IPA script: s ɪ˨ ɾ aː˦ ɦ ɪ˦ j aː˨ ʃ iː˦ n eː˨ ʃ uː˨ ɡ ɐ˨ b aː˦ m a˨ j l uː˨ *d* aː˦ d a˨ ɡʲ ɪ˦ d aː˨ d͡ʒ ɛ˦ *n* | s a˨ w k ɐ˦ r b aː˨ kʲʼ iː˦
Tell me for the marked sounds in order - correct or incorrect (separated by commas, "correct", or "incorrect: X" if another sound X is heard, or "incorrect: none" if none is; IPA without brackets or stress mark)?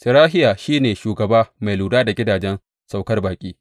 correct, correct